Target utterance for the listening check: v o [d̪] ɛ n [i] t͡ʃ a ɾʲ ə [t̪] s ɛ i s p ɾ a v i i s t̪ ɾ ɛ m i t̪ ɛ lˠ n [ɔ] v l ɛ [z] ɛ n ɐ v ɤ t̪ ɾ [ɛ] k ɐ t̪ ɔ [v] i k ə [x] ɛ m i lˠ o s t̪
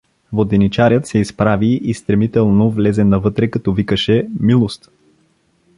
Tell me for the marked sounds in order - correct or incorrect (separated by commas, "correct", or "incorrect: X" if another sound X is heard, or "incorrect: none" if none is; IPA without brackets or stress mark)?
correct, correct, correct, incorrect: o, correct, correct, correct, incorrect: ʃ